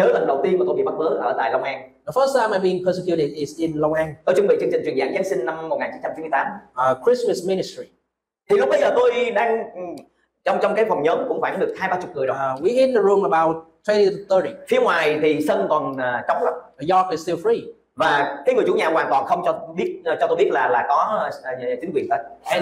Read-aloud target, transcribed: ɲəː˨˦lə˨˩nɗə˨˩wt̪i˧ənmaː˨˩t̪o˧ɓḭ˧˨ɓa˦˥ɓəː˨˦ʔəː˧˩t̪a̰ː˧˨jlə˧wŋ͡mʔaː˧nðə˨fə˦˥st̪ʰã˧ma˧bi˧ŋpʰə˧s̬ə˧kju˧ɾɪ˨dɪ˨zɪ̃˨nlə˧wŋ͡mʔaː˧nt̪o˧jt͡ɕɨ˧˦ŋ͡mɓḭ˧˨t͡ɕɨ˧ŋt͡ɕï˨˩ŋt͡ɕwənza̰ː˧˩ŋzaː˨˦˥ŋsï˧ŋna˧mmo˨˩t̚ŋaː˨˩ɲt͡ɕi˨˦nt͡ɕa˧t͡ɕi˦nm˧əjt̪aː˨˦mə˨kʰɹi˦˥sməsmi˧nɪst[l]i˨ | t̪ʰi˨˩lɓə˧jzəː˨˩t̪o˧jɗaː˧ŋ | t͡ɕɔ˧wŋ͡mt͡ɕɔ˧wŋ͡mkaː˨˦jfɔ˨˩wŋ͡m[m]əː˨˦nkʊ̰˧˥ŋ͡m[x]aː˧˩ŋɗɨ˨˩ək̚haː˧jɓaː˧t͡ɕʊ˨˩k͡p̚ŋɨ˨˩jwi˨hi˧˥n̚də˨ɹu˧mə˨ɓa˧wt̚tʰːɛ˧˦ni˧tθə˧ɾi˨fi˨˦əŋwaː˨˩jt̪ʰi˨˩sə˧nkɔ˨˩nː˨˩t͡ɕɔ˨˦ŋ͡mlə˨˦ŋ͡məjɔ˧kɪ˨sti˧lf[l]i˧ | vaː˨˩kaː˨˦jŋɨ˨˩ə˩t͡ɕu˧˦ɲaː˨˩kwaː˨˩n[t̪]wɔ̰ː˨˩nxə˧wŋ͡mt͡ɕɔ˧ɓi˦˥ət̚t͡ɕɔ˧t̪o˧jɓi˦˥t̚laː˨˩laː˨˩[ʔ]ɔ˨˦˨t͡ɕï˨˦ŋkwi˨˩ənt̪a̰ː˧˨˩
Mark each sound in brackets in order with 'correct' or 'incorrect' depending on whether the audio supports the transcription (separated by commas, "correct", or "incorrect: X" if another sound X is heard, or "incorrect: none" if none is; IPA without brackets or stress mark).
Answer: incorrect: ɹ, incorrect: ɲ, incorrect: f, incorrect: ɹ, correct, incorrect: k